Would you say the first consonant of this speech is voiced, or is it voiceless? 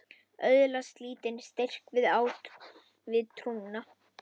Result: voiced